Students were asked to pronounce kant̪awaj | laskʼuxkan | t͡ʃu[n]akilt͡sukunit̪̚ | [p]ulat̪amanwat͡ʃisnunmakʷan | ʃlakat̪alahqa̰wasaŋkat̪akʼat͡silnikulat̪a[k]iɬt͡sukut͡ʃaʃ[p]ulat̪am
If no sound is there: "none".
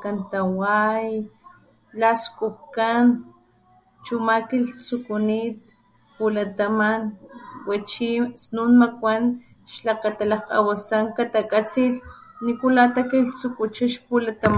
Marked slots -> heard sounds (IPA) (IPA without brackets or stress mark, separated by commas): m, p, k, p